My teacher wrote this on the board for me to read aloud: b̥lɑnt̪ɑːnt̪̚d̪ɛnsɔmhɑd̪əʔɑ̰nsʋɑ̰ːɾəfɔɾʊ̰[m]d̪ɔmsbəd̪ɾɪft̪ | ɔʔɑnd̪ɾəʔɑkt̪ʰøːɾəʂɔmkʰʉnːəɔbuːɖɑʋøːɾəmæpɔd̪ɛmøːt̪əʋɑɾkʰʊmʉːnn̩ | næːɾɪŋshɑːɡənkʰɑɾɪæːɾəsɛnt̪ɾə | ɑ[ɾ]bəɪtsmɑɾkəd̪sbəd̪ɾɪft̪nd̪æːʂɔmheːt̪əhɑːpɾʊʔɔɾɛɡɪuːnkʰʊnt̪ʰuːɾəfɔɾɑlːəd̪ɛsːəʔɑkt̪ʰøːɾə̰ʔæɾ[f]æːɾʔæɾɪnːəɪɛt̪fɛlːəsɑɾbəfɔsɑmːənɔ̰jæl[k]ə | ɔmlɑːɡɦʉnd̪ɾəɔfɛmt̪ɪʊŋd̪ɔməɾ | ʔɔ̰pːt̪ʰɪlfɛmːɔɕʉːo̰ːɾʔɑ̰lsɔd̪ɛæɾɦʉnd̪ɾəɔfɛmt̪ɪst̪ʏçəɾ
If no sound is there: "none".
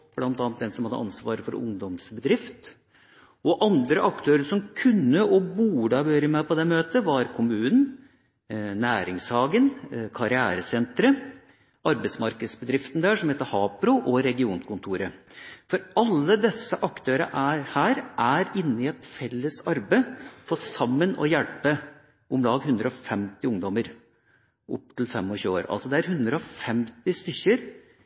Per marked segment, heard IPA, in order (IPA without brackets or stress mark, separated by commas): ŋ, ɾ, h, p